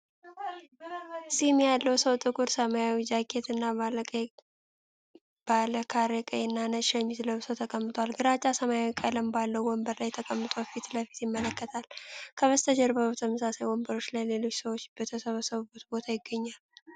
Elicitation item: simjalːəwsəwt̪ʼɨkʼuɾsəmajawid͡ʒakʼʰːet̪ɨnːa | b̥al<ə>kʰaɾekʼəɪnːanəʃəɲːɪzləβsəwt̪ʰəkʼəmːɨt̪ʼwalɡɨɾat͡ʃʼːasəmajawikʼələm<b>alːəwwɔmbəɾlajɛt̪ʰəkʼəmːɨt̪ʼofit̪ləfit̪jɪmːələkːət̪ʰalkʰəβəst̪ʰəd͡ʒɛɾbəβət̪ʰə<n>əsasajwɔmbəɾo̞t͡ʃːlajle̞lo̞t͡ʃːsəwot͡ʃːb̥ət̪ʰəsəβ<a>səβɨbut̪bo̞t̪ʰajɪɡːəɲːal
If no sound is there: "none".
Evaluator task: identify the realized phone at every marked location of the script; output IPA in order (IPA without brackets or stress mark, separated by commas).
ə, b, m, ə